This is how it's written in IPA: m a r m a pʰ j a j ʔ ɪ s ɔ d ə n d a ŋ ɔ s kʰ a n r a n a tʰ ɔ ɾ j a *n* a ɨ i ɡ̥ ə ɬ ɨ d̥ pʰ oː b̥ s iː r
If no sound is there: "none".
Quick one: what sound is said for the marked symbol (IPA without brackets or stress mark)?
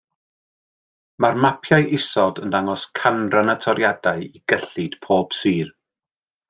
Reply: d